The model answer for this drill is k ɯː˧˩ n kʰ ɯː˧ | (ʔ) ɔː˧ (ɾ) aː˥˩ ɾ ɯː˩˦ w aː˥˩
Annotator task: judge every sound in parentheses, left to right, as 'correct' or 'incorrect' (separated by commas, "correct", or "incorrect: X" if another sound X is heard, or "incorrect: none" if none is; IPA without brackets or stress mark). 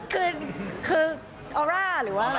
correct, correct